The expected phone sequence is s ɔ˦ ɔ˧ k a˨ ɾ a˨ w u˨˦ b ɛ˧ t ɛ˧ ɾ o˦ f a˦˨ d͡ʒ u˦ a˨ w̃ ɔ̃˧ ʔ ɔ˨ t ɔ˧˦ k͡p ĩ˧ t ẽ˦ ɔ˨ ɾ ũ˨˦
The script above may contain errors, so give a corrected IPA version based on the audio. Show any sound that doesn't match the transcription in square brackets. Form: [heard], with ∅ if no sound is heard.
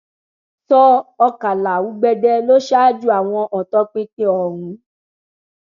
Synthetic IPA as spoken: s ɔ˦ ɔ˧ k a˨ [l] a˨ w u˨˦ [ɡ͡b] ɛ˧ [d] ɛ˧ [l] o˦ [ʃ] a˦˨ d͡ʒ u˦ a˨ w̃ ɔ̃˧ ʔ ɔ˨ t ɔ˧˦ k͡p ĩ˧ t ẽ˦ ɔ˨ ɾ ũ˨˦